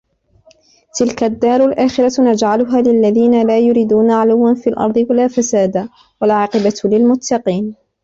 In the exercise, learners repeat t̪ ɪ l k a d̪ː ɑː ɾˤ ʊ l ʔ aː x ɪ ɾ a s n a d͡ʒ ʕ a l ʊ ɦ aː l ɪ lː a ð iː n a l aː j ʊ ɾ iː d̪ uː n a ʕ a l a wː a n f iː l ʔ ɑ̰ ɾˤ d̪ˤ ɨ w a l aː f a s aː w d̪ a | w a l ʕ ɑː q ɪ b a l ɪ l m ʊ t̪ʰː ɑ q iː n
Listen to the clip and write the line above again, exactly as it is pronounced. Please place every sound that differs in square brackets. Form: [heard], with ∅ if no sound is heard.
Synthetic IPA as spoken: t̪ ɪ l k a d̪ː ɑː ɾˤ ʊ l ʔ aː x ɪ ɾ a [∅] n a d͡ʒ ʕ a l ʊ ɦ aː l ɪ lː a ð iː n a l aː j ʊ ɾ iː d̪ uː n a ʕ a l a wː a n f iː l ʔ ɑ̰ ɾˤ d̪ˤ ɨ w a l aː f a s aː [∅] d̪ a | w a l ʕ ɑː q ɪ b a l ɪ l m ʊ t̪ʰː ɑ q iː n

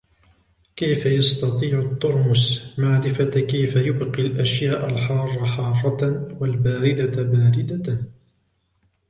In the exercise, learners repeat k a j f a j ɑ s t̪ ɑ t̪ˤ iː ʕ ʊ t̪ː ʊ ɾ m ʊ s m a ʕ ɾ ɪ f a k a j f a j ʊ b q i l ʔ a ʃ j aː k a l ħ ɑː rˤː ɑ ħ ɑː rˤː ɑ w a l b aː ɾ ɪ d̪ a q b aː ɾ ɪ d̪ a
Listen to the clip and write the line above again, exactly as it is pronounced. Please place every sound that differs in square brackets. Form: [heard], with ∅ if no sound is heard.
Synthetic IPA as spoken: k a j f a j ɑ s t̪ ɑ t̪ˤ iː ʕ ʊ t̪ː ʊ ɾ m ʊ s m a ʕ ɾ ɪ f a k a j f a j ʊ b q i l ʔ a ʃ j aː [ʔ] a l ħ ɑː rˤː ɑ ħ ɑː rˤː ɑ w a l b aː ɾ ɪ d̪ a [∅] b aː ɾ ɪ d̪ a

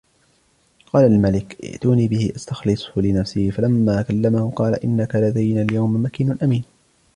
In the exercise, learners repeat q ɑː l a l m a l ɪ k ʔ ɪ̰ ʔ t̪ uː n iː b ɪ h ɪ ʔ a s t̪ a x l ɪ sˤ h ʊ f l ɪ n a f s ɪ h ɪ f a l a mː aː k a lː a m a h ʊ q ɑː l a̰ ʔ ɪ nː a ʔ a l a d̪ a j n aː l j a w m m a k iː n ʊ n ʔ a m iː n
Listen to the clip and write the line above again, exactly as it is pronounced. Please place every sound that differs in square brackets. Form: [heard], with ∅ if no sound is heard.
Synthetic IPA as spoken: q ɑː l a l m a l ɪ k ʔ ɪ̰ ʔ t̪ uː n iː b ɪ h ɪ ʔ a s t̪ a x l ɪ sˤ h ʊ [∅] l ɪ n a f s ɪ h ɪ f a l a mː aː k a lː a m a h ʊ q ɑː l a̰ ʔ ɪ nː a [k] a l a d̪ a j n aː l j a w m m a k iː n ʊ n ʔ a m iː n

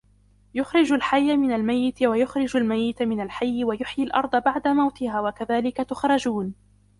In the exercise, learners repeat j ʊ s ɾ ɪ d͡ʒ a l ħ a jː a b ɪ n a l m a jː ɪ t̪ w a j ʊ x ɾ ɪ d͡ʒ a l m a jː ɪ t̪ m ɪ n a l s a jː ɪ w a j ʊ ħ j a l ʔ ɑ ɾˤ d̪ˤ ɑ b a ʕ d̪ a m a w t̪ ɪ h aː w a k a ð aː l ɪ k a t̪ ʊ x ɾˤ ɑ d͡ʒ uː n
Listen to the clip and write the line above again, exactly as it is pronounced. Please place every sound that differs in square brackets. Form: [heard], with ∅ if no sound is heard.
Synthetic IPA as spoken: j ʊ [x] ɾ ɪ d͡ʒ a l ħ a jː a [m] ɪ n a l m a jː ɪ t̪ w a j ʊ x ɾ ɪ d͡ʒ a l m a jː ɪ t̪ m ɪ n a l [ħ] a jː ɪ w a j ʊ ħ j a l ʔ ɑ ɾˤ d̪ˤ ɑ b a ʕ d̪ a m a w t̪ ɪ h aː w a k a ð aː l ɪ k a t̪ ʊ x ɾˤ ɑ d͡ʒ uː n

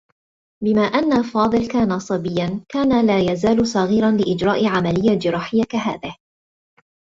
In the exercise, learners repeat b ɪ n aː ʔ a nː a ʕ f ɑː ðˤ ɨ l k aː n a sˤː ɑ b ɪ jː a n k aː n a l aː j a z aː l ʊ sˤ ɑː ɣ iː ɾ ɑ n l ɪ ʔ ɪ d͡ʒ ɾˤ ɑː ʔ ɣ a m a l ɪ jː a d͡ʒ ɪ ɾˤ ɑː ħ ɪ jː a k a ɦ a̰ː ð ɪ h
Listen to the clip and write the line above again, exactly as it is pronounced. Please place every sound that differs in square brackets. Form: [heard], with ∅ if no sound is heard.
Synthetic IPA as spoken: b ɪ [m] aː ʔ a nː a [∅] f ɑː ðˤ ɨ l k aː n a [sˤ] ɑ b ɪ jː a n k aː n a l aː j a z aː l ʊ sˤ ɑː ɣ iː ɾ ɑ n l ɪ ʔ ɪ d͡ʒ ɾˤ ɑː ʔ [ʕ] a m a l ɪ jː a d͡ʒ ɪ ɾˤ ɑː ħ ɪ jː a k a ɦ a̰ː ð ɪ h

